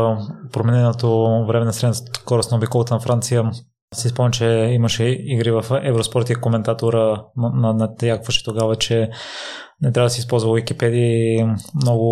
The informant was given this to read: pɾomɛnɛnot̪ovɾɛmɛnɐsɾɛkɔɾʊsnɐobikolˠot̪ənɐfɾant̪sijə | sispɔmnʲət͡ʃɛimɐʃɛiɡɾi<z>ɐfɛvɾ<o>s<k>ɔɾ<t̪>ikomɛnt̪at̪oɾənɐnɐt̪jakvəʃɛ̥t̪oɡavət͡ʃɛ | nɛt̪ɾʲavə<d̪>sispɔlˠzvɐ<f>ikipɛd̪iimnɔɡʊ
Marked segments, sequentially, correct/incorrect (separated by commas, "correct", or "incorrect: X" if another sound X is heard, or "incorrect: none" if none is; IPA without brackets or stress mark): incorrect: v, correct, incorrect: p, correct, correct, incorrect: v